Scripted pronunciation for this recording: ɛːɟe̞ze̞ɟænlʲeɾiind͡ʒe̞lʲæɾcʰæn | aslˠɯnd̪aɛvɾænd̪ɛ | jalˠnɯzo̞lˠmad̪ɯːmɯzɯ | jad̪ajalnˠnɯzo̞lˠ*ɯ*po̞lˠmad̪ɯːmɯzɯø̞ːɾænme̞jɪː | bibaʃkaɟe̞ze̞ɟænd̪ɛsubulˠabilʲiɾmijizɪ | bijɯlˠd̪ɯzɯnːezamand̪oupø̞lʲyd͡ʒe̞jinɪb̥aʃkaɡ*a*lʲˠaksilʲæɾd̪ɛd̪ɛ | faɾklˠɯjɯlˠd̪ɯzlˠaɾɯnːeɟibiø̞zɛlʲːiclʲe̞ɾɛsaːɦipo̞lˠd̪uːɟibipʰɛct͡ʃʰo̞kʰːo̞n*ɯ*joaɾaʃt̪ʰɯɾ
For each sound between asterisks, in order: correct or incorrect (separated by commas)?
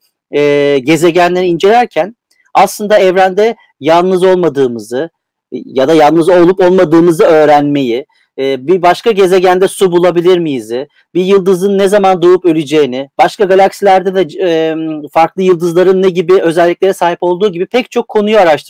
incorrect, correct, incorrect